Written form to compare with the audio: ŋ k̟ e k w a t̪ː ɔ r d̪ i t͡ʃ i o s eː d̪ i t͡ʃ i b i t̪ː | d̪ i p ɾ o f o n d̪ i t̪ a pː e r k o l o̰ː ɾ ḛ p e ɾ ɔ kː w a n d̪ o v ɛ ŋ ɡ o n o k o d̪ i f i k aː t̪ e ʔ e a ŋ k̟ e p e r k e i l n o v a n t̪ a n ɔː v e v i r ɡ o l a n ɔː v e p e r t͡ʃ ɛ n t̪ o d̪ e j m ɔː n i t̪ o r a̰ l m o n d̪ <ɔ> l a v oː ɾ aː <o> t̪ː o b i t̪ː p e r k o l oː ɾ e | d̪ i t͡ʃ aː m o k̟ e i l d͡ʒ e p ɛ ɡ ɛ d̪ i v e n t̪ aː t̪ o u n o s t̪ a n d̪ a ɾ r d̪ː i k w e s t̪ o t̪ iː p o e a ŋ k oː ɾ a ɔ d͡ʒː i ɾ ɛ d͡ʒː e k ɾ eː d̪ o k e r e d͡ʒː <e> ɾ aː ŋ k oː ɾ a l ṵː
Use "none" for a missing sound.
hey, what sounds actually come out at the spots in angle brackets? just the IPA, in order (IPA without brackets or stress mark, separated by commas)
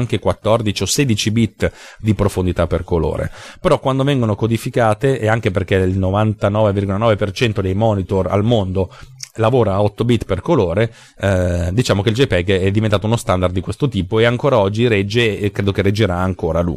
o, ɔ, e